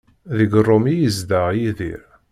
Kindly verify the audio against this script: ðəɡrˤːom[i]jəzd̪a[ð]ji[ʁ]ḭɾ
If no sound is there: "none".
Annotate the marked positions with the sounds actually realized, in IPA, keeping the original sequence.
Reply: i, ʁ, ð

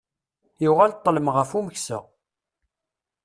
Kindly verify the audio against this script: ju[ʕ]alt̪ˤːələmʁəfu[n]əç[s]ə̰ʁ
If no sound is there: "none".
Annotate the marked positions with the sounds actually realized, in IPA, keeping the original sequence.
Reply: ʁ, m, s

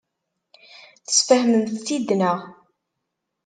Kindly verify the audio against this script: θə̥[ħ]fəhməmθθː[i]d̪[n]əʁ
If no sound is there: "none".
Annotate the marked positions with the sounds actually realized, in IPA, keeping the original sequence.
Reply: s, i, n

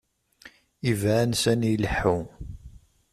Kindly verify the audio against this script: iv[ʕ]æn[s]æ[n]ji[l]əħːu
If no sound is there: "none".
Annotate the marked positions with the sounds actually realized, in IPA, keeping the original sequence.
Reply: ʕ, s, n, l

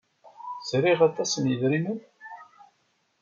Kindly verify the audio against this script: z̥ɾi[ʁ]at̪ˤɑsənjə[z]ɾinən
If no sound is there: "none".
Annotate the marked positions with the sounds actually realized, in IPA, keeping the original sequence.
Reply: ʁ, ð

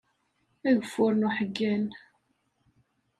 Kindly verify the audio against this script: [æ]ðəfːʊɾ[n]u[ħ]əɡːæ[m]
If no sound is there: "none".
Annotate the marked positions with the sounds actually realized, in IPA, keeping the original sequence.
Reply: æ, n, ħ, n

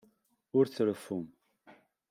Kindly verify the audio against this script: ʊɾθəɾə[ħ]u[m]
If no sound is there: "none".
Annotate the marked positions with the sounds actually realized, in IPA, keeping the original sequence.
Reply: f, m

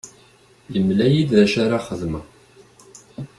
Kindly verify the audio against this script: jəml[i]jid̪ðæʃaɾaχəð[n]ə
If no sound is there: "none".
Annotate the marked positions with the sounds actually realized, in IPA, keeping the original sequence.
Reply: æ, m

